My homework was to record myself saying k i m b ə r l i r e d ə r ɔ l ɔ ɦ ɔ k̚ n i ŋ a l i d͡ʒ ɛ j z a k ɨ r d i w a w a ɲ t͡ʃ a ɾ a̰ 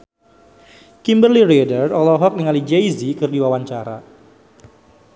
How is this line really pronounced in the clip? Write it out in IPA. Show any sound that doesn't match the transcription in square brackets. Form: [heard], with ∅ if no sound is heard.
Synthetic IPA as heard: k i m b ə r l i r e d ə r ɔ l ɔ ɦ ɔ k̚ n i ŋ a l i d͡ʒ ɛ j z [i] k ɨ r d i w a w a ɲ t͡ʃ a ɾ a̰